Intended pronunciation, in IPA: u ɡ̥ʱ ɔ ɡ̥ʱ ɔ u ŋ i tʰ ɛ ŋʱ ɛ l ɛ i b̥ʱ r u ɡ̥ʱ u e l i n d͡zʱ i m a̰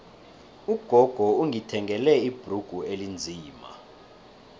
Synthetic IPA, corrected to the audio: u ɡ̥ʱ ɔ ɡ̥ʱ ɔ u ŋ i tʰ ɛ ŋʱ ɛ l ɛ i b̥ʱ r u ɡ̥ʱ u e l i n d͡zʱ iː m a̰